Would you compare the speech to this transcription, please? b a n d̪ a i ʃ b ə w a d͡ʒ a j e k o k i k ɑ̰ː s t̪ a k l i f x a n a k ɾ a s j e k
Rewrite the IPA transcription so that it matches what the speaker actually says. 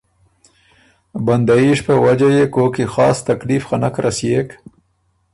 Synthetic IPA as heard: b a n d̪ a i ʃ p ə w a d͡ʒ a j e k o k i x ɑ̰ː s t̪ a k l i f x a n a k ɾ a s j e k